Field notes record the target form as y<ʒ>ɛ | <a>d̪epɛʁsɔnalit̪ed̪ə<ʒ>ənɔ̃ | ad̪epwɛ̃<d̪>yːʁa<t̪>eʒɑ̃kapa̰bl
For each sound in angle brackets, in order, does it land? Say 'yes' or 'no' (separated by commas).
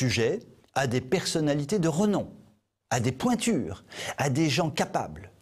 yes, yes, no, no, no